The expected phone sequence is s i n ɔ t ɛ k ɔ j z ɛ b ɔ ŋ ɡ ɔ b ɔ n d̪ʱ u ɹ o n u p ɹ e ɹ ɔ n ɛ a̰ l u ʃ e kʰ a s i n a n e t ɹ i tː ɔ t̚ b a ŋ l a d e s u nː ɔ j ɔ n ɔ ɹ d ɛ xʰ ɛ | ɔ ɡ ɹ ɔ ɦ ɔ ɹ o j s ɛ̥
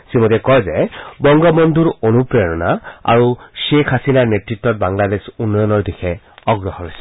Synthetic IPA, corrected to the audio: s i m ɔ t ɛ k ɔ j z ɛ b ɔ ŋ ɡ ɔ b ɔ n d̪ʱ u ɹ o n u p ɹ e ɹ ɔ n a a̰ ɹ u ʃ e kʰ a s i n a n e t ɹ i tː ɔ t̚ b a ŋ l a d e s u nː ɔ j ɔ n ɔ ɹ d i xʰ ɛ | ɔ ɡ ɹ ɔ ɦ ɔ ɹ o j s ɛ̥